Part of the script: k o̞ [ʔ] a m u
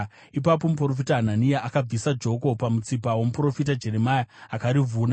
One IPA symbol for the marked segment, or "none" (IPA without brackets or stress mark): p